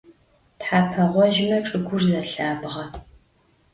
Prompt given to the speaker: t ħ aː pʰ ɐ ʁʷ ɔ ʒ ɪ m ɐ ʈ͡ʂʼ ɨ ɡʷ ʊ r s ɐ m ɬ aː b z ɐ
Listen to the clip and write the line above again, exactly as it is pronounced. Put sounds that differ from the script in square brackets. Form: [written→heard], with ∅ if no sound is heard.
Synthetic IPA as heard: t ħ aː pʰ ɐ ʁʷ ɔ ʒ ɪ m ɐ ʈ͡ʂʼ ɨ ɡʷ ʊ r [s→z] ɐ [m→∅] ɬ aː b [z→ʁ] ɐ